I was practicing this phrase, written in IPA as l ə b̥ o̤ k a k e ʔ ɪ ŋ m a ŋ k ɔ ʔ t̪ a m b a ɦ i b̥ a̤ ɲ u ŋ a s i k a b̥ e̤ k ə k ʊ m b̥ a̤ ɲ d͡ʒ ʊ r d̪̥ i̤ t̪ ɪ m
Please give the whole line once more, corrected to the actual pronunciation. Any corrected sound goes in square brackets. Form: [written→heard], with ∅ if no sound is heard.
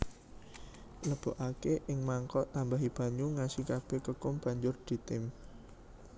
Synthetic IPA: l ə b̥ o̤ [k→ʔ] a k e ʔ ɪ ŋ m a ŋ k ɔ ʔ t̪ a m b a ɦ i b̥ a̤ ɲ u ŋ a s i k a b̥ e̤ k ə k ʊ m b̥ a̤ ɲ d͡ʒ ʊ r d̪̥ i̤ t̪ ɪ m